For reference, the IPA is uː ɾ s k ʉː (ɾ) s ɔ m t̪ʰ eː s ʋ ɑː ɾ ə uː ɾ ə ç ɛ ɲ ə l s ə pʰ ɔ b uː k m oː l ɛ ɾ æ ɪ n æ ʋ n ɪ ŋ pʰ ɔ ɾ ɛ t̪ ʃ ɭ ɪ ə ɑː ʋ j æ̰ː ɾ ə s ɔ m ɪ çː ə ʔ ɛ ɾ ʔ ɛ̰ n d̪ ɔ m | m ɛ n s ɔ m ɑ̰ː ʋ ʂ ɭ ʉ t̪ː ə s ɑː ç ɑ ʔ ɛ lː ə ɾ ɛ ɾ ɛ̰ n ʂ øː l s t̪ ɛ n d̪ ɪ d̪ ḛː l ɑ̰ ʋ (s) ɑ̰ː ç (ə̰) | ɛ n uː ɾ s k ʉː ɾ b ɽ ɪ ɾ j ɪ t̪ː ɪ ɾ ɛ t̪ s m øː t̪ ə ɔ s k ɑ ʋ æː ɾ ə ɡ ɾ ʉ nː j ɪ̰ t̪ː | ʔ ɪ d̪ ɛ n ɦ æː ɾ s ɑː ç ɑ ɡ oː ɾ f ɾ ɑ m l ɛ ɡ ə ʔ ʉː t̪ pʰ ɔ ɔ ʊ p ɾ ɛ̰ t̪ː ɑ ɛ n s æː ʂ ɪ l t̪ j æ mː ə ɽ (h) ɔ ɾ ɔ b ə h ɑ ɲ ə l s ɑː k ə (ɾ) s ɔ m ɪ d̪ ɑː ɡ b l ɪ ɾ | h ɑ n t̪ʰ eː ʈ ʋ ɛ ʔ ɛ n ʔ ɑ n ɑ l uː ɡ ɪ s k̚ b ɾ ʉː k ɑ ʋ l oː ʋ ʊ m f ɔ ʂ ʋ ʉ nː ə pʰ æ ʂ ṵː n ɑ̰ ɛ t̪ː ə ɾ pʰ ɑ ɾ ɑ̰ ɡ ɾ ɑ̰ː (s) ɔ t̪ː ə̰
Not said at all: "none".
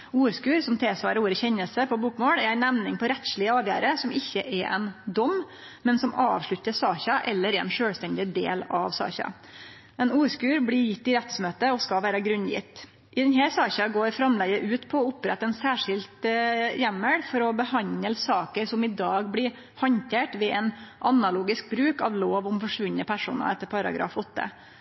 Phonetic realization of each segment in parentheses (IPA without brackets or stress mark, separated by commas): ɾ, s, ɑ̰, f, ɾ, f